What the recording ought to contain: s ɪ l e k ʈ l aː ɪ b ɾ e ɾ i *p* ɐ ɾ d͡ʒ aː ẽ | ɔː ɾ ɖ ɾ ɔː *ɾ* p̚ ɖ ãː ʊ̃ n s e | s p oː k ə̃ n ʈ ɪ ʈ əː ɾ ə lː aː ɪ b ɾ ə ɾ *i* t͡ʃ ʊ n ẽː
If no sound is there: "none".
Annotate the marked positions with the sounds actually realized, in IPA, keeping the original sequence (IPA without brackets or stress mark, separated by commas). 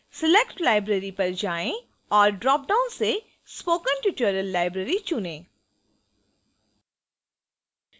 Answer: p, none, i